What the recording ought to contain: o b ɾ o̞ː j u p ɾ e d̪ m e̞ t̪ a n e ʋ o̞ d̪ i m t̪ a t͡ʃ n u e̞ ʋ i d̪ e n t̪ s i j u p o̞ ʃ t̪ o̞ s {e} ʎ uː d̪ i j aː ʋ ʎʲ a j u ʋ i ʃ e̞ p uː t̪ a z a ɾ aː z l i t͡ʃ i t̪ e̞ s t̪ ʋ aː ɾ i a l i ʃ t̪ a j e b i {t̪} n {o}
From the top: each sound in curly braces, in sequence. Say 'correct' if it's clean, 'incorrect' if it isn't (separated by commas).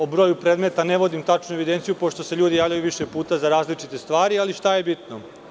correct, correct, correct